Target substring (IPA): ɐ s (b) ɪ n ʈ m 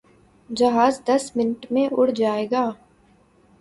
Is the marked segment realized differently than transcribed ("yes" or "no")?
yes